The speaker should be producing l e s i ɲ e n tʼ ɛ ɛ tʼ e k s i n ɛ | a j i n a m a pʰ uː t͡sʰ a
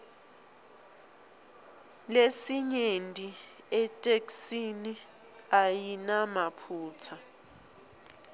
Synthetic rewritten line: l e s i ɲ e n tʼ i ɛ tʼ e k s i n i | a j i n a m a pʰ uː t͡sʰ a